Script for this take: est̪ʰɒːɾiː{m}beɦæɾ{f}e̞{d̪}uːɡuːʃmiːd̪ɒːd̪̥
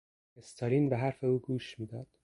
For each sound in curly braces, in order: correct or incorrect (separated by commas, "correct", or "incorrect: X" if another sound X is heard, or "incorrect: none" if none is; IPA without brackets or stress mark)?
incorrect: n, correct, incorrect: none